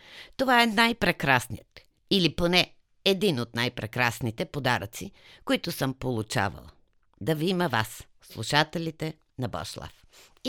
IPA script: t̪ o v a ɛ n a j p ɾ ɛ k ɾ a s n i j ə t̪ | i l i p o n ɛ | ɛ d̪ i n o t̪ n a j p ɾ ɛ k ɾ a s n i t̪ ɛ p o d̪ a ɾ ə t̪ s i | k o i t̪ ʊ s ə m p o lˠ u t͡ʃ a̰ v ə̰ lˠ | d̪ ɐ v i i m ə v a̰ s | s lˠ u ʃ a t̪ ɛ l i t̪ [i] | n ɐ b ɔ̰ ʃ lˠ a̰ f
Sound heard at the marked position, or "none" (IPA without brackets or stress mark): ɛ